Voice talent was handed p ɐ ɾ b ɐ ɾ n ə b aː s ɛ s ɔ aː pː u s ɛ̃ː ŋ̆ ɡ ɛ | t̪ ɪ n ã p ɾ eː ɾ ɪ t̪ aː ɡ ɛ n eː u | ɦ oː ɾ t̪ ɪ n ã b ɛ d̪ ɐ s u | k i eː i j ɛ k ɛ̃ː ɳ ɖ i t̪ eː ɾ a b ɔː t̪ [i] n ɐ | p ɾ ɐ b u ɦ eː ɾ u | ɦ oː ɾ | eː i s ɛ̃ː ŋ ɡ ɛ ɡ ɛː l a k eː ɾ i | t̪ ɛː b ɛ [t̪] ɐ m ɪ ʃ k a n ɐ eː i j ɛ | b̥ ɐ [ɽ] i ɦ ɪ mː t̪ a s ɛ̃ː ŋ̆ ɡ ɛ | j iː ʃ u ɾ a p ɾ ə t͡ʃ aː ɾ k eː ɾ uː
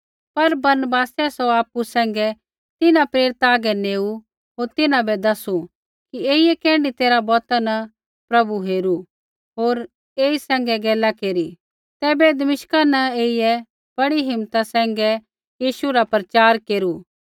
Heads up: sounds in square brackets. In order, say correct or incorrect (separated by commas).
incorrect, incorrect, correct